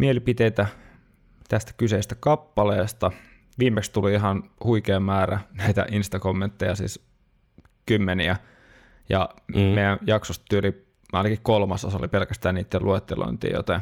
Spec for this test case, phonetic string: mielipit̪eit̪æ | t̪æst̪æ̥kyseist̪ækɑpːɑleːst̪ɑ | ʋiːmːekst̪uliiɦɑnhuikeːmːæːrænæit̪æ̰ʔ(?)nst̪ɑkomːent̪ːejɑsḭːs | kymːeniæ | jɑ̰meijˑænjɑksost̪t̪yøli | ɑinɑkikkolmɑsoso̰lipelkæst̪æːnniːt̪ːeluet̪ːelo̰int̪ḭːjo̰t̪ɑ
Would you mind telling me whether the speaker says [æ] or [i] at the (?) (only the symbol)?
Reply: i